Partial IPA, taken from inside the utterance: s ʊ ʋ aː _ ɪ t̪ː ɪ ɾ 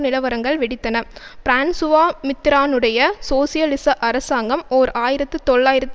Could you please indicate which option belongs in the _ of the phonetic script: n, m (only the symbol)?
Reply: m